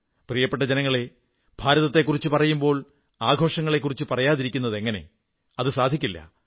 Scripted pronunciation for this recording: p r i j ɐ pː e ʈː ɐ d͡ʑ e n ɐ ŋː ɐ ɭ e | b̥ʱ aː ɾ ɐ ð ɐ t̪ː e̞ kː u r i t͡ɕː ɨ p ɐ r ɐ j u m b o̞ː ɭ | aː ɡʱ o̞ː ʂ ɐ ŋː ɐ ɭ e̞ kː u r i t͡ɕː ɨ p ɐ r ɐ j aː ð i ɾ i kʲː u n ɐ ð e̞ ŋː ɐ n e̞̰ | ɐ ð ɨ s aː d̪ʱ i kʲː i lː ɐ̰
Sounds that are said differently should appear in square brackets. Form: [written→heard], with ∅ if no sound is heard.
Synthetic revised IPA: p r i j ɐ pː e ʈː ɐ d͡ʑ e n ɐ ŋː ɐ ɭ e | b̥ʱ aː ɾ ɐ ð ɐ t̪ː e̞ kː u r i t͡ɕː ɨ p ɐ r ɐ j u m b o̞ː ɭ | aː ɡʱ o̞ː ʂ ɐ ŋː ɐ ɭ e̞ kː u r i t͡ɕː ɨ p ɐ r ɐ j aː ð i ɾ i kʲː u [n→nː] ɐ ð e̞ ŋː ɐ n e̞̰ | ɐ ð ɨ s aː d̪ʱ i kʲː i lː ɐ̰